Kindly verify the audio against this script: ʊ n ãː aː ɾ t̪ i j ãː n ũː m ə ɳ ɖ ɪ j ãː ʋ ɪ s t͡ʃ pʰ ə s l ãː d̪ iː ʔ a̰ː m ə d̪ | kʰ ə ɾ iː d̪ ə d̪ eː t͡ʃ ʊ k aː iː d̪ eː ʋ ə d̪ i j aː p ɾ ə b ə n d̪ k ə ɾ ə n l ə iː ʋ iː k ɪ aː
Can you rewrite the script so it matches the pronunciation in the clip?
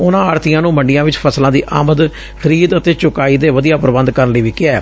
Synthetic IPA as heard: ʊ n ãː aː ɾ t̪ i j ãː n ũː m ə ɳ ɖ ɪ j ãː ʋ ɪ t͡ʃ pʰ ə s l ãː d̪ iː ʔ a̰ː m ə d̪ | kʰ ə ɾ iː d̪ ə t̪ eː t͡ʃ ʊ k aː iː d̪ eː ʋ ə d̪ i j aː p ɾ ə b ə n d̪ k ə ɾ ə n l ə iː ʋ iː k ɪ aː